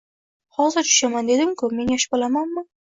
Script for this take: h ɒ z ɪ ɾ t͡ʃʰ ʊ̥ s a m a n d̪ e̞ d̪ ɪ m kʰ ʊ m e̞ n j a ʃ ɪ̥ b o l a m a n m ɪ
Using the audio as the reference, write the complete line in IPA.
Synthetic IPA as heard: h ɒ z ɪ ɾ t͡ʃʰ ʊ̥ ʃ a m a n d̪ e̞ d̪ ɪ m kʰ ʊ m e̞ n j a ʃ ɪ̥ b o l a m a n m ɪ